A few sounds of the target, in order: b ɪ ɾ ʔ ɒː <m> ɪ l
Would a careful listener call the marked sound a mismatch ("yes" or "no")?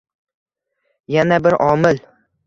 no